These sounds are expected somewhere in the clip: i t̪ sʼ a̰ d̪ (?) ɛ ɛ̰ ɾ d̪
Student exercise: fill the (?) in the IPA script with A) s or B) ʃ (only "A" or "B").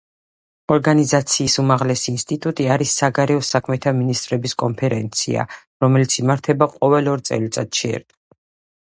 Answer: B